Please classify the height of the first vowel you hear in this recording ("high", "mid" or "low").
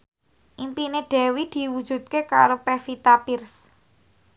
high